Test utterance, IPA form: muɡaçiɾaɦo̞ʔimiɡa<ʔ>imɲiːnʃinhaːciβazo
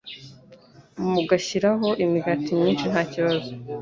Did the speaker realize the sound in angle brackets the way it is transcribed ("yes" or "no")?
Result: no